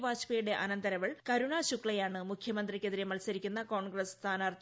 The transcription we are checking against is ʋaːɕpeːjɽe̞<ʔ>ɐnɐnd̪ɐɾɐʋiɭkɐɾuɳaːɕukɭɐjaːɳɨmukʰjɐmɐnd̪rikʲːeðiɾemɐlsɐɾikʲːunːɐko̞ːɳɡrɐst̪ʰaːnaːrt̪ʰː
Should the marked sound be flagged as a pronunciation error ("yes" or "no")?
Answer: no